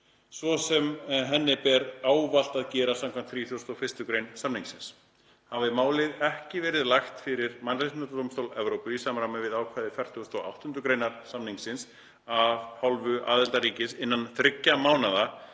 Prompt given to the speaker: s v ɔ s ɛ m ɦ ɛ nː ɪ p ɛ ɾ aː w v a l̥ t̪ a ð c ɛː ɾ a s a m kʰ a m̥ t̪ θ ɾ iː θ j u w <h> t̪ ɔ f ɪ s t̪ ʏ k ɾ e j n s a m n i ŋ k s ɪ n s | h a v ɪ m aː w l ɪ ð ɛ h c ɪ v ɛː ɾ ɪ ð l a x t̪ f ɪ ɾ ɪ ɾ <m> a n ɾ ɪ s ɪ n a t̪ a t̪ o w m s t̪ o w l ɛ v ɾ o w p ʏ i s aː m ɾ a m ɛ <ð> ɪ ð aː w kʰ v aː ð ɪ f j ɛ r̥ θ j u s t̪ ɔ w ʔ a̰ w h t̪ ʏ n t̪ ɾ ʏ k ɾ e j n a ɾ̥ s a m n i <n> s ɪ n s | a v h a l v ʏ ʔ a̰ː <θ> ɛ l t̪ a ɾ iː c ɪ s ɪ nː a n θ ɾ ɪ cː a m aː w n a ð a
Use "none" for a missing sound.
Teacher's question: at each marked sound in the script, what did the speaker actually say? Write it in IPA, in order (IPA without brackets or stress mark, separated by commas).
s, m, v, ŋ, ð